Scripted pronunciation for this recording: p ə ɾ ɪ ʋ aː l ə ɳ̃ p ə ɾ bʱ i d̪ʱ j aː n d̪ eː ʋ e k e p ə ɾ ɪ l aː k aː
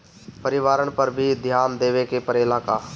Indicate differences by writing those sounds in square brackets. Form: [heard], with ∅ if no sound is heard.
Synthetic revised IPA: p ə ɾ ɪ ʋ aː [ɾ] ə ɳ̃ p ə ɾ bʱ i d̪ʱ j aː n d̪ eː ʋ e k e p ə ɾ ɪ l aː k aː